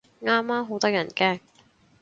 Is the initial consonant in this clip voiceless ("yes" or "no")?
no